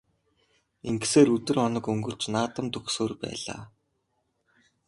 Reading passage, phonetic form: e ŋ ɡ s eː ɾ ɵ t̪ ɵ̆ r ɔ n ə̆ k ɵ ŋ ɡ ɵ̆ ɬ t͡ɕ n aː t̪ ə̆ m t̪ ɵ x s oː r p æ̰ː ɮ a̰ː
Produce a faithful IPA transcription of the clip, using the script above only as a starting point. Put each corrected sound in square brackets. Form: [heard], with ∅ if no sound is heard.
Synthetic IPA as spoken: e ŋ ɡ s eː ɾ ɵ t̪ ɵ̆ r ɔ n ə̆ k ɵ ŋ ɡ ɵ̆ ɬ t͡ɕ n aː t̪ ə̆ m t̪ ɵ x s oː r p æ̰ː ɮ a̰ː